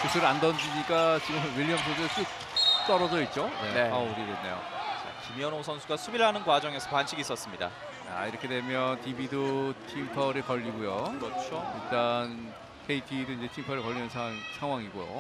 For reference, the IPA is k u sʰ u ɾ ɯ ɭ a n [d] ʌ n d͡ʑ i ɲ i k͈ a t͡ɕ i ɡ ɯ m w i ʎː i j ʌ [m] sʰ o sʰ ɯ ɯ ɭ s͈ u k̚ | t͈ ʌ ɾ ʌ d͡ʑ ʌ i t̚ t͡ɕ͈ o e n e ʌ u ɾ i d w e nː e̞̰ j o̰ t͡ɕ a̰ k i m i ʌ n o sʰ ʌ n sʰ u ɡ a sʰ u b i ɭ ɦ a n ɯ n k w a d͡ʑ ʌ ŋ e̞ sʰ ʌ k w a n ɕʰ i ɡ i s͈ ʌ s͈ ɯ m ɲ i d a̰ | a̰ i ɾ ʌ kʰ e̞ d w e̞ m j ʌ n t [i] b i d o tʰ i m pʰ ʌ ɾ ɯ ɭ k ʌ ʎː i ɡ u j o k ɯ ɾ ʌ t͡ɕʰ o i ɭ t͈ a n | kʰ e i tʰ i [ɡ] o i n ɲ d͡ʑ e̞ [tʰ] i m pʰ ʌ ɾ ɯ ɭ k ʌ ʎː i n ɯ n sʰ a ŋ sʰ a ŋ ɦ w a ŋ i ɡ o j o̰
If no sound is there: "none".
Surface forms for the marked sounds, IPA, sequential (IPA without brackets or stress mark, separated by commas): d, m, i, d, tʰ